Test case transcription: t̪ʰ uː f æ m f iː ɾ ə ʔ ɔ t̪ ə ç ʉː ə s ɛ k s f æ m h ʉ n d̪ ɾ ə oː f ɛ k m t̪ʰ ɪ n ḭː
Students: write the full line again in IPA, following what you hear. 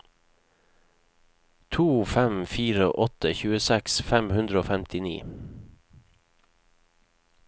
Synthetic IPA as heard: t̪ʰ uː f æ m f iː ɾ ə ʔ ɔ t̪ ə ç ʉː ə s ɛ k s f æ m h ʉ n d̪ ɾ ə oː f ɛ m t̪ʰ ɪ n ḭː

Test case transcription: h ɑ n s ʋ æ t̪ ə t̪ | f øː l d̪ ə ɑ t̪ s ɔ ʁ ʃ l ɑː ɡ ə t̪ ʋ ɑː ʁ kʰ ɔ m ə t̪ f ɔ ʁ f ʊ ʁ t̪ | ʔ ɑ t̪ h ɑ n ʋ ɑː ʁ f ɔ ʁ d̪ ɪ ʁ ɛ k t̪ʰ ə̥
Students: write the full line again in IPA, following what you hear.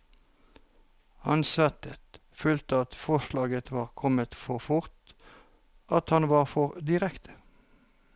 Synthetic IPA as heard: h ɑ n s ʋ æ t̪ ə t̪ | f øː l t̪ ə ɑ t̪ f ɔ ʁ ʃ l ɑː ɡ ə t̪ ʋ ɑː ʁ kʰ ɔ m ə t̪ f ɔ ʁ f ʊ ʁ t̪ | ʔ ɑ t̪ h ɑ n ʋ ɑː ʁ f ɔ ʁ d̪ ɪ ʁ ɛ k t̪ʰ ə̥

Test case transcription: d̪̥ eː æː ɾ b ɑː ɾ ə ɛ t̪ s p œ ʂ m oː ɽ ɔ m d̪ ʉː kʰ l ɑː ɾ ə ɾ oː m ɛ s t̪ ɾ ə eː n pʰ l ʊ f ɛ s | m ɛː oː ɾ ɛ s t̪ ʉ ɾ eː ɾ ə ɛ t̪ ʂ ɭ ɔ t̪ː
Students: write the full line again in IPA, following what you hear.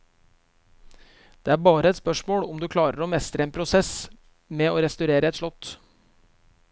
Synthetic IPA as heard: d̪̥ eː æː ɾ b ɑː ɾ ə ɛ t̪ s p œ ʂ m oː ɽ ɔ m d̪ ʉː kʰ l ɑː ɾ ə ɾ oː m ɛ s t̪ ɾ ə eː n pʰ ɾ ʊ s ɛ s | m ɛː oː ɾ ɛ s t̪ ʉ ɾ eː ɾ ə ɛ t̪ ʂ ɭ ɔ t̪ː

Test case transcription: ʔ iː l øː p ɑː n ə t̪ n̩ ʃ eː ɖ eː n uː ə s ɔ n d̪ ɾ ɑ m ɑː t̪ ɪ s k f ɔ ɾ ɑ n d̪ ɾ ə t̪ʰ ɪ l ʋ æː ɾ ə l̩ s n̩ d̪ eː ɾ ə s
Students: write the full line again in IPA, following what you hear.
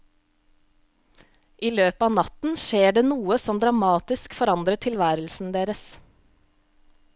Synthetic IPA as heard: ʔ iː l øː p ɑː n ɑ t̪ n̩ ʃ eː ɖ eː n uː ə s ɔ m d̪ ɾ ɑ m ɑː t̪ ɪ s k f ɔ ɾ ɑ n d̪ ɾ ə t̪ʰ ɪ l ʋ æː ɾ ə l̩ s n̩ d̪ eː ɾ ə s

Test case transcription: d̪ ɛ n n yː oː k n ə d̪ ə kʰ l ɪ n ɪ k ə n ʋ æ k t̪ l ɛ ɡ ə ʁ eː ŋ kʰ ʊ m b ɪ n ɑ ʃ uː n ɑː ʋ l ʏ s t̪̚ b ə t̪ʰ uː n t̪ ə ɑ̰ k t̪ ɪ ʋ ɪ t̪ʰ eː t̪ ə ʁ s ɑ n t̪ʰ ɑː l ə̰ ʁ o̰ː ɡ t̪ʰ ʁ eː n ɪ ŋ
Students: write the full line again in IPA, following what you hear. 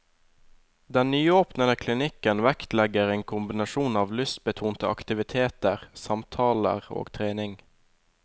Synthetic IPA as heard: d̪ ɛ n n yː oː p n ə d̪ ə kʰ l ɪ n ɪ k ə n ʋ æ k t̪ l ɛ ɡ ə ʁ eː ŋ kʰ ʊ m b ɪ n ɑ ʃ uː n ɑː ʋ l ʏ s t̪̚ b ə t̪ʰ uː n t̪ ə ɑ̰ k t̪ ɪ ʋ ɪ t̪ʰ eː t̪ ə ʁ s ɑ m t̪ʰ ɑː l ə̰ ʁ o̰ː ɡ t̪ʰ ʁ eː n ɪ ŋ

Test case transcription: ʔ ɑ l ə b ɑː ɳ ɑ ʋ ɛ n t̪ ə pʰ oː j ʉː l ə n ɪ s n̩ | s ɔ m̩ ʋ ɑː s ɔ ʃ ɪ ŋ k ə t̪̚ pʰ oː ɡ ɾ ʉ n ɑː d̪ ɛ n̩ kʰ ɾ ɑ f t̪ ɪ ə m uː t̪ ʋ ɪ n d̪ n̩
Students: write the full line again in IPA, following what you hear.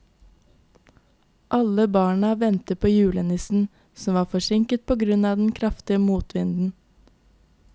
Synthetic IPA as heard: ʔ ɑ l ə b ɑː ɳ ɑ ʋ ɛ n t̪ ə pʰ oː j ʉː l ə n ɪ s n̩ | s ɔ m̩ ʋ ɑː f ɔ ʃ ɪ ŋ k ə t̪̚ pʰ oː ɡ ɾ ʉ n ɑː d̪ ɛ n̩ kʰ ɾ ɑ f t̪ ɪ ə m uː t̪ ʋ ɪ n d̪ n̩

